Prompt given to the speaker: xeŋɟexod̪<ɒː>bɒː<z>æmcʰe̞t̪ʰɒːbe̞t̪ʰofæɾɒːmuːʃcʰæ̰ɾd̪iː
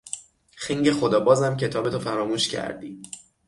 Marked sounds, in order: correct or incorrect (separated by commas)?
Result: correct, correct